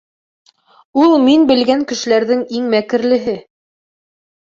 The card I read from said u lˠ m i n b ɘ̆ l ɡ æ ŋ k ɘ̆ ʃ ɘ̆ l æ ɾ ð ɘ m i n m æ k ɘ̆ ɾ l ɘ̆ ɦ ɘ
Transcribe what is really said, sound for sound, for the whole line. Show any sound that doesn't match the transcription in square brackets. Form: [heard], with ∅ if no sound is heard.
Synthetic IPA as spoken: u lˠ m i n b ɘ̆ l ɡ æ ŋ k ɘ̆ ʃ ɘ̆ l æ ɾ ð ɘ [ŋ] i [ŋ] m æ k ɘ̆ ɾ l ɘ̆ ɦ ɘ